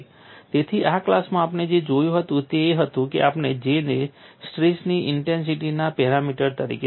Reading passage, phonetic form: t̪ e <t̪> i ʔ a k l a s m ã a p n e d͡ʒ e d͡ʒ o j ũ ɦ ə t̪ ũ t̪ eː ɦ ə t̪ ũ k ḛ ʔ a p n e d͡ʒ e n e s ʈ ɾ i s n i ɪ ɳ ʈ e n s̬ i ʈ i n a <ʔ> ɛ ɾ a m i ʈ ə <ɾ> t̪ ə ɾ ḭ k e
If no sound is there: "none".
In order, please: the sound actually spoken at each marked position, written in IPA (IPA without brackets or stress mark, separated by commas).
t̪ʰ, p, ɾ